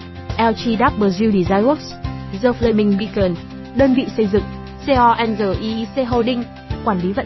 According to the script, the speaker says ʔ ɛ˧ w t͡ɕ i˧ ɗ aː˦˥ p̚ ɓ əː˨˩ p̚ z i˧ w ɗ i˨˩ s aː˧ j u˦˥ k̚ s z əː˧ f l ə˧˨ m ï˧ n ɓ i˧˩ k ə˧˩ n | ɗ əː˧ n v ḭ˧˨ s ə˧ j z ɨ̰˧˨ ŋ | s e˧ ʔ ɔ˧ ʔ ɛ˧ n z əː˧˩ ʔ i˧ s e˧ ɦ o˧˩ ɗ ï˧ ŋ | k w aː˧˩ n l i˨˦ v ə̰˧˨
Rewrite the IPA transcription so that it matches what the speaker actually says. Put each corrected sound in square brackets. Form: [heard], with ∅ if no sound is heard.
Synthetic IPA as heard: ʔ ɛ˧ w t͡ɕ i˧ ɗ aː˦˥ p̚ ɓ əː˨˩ [∅] z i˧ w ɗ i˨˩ [z] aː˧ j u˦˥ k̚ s z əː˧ f l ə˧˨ m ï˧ [ŋ] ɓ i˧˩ k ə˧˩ n | ɗ əː˧ n v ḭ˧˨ s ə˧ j z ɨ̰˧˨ ŋ | s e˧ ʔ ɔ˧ ʔ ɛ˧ n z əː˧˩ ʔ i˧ s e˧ ɦ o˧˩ ɗ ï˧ ŋ | k w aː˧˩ n l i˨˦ v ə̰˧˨